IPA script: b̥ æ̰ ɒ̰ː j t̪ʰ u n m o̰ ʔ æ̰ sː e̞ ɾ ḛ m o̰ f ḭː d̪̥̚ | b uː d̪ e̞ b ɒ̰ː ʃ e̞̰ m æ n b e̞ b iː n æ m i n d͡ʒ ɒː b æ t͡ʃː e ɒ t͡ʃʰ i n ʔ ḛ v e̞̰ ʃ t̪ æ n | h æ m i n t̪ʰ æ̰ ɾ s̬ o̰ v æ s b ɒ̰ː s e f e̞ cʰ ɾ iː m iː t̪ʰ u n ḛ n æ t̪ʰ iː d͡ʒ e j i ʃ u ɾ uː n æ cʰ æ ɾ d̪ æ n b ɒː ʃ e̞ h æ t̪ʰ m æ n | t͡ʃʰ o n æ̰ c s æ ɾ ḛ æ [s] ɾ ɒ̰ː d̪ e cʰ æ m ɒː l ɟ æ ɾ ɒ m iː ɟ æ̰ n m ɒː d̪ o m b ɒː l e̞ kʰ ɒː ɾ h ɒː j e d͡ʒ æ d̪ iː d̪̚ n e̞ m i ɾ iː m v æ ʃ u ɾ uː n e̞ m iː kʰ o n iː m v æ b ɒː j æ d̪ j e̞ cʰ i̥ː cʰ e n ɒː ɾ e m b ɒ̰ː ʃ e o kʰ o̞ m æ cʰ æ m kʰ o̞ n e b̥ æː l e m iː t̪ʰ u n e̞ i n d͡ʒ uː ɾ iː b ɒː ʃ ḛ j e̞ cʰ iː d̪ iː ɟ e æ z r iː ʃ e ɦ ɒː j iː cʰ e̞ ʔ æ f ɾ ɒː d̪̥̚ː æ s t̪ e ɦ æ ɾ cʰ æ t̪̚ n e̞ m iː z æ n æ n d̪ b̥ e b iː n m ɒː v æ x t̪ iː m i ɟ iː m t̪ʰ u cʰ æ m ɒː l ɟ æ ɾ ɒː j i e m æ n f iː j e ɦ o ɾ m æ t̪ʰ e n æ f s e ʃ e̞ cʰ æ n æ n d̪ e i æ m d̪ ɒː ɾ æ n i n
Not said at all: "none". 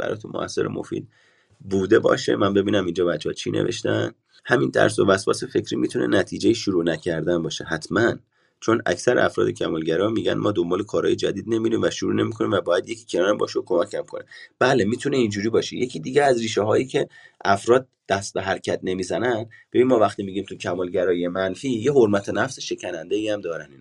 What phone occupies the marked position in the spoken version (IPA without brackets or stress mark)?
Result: f